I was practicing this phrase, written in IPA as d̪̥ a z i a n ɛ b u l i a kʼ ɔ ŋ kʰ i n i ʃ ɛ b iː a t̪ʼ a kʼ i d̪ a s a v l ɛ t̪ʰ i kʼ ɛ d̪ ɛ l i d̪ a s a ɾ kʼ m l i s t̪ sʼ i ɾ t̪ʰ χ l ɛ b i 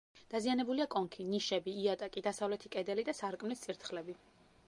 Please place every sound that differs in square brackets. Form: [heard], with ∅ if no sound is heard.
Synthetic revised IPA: d̪̥ a z i a n ɛ b u l i a kʼ ɔ ŋ kʰ i n i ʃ ɛ b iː a t̪ʼ a kʼ i d̪ a s a v l ɛ t̪ʰ i kʼ ɛ d̪ ɛ l i d̪ a s a ɾ kʼ m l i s t̪ sʼ i ɾ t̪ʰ χ l ɛ b i